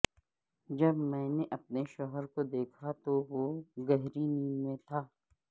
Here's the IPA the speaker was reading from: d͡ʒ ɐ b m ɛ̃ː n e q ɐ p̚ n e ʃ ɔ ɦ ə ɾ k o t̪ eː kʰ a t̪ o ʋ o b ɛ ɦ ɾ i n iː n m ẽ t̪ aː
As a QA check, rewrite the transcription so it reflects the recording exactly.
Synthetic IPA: d͡ʒ ɐ b m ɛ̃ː n e ʔ ɐ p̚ n e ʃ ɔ ɦ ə ɾ k o d̪ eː kʰ a t̪ o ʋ o ɡ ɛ ɦ ɾ i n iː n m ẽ t̪ʰ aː